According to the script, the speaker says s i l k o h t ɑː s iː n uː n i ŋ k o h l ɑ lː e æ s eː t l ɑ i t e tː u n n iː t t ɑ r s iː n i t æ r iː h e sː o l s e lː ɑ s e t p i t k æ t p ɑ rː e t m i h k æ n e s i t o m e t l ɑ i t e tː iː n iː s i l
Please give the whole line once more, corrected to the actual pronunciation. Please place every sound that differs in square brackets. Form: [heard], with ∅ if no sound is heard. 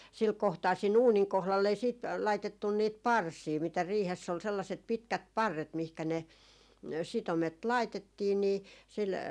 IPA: s i l k o h t ɑː s iː n uː n i ŋ k o h l ɑ lː e [i] s [iː] t l ɑ i t e tː u n n iː t [p] ɑ r s iː [m] i t æ r iː h e sː o l s e lː ɑ s e t p i t k æ t p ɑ rː e t m i h k æ n e s i t o m e t l ɑ i t e tː iː n iː s i l